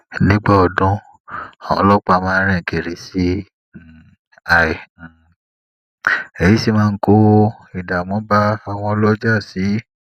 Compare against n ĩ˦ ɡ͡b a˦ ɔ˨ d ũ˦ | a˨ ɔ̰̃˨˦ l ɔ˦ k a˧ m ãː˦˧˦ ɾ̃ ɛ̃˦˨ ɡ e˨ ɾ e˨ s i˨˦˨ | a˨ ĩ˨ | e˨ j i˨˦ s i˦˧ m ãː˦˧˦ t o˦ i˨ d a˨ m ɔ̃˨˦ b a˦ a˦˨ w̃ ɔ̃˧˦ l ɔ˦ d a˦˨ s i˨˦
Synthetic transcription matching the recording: n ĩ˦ ɡ͡b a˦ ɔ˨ d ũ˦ | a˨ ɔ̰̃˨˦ l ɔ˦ k͡p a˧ m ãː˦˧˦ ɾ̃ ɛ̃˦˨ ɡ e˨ ɾ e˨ s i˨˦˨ | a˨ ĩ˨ | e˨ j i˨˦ s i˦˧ m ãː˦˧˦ k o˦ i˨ d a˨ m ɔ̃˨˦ b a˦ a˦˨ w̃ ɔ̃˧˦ l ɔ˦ d͡ʒ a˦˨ s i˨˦